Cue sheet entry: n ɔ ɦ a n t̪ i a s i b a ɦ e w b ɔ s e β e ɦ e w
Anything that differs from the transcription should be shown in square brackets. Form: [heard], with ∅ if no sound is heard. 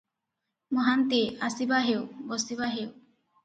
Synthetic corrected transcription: [m] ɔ ɦ a n t̪ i a s i b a ɦ e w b ɔ s [i] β [a] ɦ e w